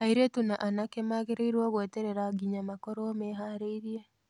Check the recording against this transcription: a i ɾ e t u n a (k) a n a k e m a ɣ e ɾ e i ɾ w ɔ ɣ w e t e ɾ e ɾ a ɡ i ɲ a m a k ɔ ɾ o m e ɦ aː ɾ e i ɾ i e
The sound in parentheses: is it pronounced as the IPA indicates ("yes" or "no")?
no